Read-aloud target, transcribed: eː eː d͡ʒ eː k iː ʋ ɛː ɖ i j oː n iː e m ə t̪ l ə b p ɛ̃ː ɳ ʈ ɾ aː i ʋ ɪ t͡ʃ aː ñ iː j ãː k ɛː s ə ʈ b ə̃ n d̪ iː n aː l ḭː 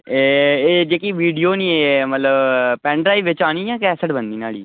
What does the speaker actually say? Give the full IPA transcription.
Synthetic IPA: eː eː d͡ʒ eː k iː ʋ iː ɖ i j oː n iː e m ə t̪ l ə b p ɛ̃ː ɳ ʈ ɾ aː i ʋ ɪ t͡ʃ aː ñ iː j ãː k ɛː s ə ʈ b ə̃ n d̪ iː n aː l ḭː